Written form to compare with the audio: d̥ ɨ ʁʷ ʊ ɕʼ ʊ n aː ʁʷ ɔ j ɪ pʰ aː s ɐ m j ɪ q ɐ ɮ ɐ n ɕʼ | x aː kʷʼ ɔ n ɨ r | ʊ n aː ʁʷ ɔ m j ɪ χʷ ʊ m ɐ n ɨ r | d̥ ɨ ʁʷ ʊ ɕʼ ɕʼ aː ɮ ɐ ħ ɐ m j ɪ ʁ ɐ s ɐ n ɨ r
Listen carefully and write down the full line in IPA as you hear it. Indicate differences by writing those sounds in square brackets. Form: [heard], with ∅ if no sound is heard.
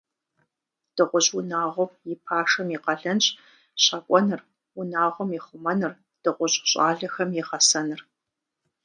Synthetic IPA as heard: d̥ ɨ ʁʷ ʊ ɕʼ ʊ n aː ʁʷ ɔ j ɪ pʰ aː [ʂ] ɐ m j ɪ q ɐ ɮ ɐ n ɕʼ | [ɕ] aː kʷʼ ɔ n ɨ r | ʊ n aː ʁʷ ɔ m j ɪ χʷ ʊ m ɐ n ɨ r | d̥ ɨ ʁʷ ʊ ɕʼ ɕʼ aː ɮ ɐ [x] ɐ m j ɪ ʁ ɐ s ɐ n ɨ r